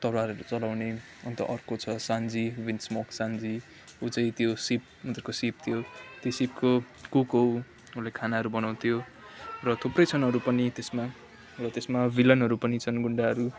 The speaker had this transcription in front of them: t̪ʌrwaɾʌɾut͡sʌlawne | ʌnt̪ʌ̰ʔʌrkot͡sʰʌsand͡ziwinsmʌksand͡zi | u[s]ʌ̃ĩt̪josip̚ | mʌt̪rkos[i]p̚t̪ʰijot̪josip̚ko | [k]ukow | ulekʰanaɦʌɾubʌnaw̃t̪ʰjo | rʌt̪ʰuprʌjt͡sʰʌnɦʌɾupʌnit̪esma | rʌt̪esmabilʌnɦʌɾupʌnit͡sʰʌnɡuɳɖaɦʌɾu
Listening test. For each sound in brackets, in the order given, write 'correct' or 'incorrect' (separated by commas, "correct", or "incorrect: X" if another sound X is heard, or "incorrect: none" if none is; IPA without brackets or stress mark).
incorrect: t͡s, correct, correct